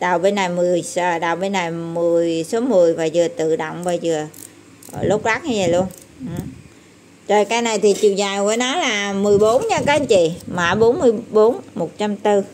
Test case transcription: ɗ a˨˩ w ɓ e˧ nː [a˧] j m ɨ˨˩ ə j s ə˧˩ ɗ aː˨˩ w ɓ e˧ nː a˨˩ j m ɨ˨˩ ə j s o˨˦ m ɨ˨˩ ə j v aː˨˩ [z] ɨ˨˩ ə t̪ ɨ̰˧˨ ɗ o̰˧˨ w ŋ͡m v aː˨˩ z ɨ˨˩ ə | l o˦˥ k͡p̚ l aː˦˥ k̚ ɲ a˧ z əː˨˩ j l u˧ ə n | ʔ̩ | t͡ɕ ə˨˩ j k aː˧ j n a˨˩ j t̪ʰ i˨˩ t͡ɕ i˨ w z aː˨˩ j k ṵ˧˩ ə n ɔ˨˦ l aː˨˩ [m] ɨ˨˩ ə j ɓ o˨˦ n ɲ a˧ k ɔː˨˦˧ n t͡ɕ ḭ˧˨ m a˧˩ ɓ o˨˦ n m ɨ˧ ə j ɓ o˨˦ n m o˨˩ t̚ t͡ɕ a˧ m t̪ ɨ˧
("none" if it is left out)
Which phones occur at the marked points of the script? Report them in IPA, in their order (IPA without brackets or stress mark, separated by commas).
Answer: a˨˩, z, m